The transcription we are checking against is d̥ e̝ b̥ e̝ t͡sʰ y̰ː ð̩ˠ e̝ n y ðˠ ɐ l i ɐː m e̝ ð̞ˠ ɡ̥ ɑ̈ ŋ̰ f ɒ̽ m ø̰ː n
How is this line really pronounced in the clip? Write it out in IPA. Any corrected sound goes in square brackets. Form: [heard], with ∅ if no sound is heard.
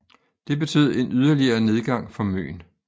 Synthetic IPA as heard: d̥ e̝ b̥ e̝ t͡sʰ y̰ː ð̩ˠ e̝ n y ðˠ ɐ l i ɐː [n] e̝ ð̞ˠ ɡ̥ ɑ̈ ŋ̰ f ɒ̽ m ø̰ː n